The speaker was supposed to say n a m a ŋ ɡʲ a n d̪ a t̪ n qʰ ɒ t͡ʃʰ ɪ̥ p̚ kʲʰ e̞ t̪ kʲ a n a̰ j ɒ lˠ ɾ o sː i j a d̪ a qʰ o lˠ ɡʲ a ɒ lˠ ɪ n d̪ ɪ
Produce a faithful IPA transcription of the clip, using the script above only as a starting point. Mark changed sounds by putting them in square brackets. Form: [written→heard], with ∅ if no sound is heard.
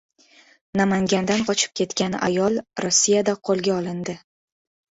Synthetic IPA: n a m a ŋ ɡʲ a n d̪ a [t̪→∅] n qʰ ɒ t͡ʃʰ ɪ̥ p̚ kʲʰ e̞ t̪ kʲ a n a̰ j ɒ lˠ ɾ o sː i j a d̪ a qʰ o lˠ ɡʲ a ɒ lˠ ɪ n d̪ ɪ